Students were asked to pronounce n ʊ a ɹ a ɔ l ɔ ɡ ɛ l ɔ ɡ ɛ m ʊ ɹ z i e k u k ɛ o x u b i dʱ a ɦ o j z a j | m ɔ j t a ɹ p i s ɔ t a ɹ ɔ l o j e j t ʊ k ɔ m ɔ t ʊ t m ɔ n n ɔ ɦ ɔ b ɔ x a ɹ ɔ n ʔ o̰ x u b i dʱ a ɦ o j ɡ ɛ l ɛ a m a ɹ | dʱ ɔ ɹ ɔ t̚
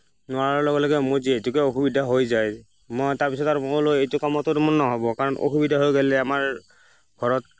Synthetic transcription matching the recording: n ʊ a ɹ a ɔ l ɔ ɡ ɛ l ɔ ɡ ɛ m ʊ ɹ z i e t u k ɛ o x u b i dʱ a ɦ o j z a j | m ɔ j t a ɹ p i s ɔ t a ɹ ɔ l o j e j t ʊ k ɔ m ɔ t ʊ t m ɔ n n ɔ ɦ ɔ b ɔ k a ɹ ɔ n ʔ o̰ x u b i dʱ a ɦ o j ɡ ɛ l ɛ a m a ɹ | ɡʱ ɔ ɹ ɔ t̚